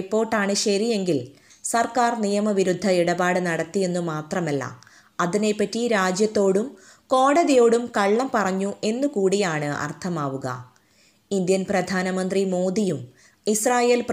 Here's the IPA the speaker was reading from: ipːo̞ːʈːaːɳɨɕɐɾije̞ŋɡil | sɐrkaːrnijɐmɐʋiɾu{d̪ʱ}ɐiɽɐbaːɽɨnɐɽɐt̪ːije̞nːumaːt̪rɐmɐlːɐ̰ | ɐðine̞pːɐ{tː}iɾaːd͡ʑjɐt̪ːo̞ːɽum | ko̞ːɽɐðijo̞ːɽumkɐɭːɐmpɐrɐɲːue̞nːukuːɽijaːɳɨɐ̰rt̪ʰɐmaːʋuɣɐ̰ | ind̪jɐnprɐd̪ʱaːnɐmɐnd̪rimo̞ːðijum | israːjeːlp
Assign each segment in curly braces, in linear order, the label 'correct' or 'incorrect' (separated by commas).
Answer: incorrect, correct